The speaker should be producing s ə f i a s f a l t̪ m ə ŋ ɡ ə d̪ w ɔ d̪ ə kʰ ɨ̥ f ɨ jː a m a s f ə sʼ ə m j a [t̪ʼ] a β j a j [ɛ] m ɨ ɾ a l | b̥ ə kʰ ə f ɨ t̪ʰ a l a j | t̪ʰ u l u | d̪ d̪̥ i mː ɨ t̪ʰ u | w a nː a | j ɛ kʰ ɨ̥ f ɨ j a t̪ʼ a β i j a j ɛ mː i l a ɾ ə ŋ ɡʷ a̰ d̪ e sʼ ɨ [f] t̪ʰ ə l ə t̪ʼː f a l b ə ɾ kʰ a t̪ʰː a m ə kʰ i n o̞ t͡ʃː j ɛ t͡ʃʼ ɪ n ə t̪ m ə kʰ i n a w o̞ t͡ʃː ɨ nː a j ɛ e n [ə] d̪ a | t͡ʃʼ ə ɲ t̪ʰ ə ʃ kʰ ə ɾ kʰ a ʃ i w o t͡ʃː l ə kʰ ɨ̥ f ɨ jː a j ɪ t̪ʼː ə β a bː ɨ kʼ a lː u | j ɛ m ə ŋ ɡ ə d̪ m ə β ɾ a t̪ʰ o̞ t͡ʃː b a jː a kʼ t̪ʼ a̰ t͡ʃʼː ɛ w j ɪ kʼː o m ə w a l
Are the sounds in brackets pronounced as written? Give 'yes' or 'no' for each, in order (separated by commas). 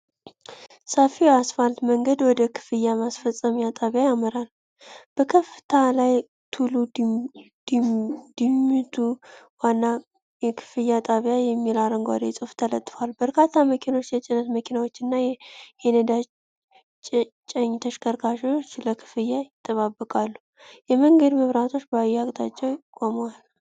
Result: yes, no, yes, yes